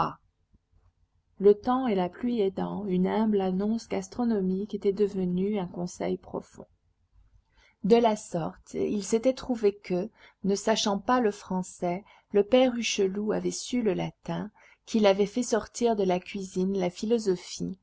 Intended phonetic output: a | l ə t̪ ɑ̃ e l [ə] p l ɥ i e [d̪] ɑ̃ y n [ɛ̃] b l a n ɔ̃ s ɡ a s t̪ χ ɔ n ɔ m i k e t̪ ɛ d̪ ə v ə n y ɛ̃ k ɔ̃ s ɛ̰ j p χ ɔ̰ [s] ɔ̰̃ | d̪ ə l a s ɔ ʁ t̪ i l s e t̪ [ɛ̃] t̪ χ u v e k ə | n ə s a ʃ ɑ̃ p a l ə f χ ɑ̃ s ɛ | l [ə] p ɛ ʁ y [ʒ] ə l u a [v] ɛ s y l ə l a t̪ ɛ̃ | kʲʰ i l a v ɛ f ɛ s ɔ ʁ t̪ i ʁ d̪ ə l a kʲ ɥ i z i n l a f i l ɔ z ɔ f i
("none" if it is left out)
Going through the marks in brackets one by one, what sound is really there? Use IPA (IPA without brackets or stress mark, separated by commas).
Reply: a, d̪, ɛ̃, f, ɛ, ə, ʃ, v